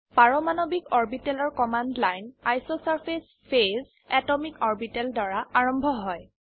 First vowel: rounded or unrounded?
unrounded